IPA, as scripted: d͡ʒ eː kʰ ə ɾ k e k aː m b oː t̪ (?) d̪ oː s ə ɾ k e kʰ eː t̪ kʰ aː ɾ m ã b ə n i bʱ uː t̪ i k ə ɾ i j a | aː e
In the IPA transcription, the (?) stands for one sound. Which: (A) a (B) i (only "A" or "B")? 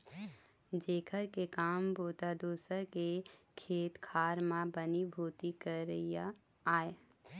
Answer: A